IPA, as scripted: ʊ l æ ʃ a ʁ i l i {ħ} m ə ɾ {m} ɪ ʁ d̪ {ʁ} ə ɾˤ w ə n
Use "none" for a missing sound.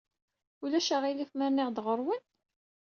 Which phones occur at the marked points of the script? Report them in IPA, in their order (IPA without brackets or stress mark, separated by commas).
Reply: f, n, ʁ